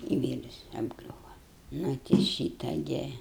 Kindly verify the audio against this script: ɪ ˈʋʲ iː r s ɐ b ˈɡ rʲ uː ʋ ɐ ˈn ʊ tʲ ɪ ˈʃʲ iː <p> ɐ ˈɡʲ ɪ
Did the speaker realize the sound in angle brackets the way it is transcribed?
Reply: no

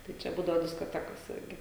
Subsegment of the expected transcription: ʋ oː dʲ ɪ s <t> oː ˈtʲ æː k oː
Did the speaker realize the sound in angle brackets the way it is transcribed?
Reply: no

